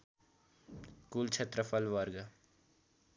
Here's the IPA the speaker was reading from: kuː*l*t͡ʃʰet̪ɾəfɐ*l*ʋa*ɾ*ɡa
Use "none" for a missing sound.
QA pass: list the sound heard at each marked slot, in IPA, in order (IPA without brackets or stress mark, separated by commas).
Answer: l, l, ɾ